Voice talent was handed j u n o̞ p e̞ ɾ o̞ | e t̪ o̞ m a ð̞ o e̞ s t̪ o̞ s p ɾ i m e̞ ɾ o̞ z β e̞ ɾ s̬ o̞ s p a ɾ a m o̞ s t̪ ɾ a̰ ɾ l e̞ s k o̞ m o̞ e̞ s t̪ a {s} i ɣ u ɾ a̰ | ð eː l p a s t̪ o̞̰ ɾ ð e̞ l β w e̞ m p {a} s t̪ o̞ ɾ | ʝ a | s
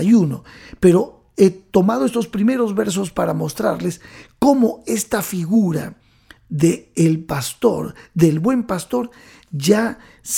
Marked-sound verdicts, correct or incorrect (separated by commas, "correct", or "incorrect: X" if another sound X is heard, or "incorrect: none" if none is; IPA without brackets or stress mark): incorrect: f, correct